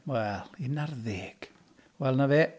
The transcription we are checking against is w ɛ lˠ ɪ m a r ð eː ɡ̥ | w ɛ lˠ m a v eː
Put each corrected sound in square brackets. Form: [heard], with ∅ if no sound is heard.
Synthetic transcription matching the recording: w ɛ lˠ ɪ [n] a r ð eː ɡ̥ | w ɛ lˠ [n] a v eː